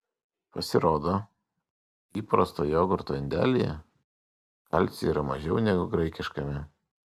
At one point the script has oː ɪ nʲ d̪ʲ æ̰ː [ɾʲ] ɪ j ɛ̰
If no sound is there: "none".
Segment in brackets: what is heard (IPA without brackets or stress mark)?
lʲ